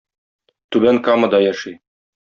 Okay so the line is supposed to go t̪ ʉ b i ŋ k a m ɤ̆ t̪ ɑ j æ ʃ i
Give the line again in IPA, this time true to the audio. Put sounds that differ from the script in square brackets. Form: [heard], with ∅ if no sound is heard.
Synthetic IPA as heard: t̪ ʉ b [æ] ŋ k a m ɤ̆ [d̪] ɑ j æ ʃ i